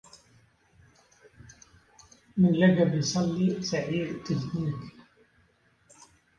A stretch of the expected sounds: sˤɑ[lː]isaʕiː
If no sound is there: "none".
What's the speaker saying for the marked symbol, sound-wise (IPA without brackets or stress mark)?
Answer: lː